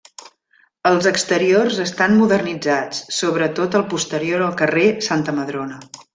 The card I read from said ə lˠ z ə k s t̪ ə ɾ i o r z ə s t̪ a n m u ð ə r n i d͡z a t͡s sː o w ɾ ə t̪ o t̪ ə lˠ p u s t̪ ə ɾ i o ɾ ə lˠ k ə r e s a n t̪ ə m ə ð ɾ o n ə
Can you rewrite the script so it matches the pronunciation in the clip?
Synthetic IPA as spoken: ə lˠ z ə k s t̪ ə ɾ i o r z ə s t̪ a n m u ð ə r n i d͡z a t͡s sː o β ɾ ə t̪ o t̪ ə lˠ p u s t̪ ə ɾ i o ɾ ə lˠ k ə r e s a n t̪ ə m ə ð ɾ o n ə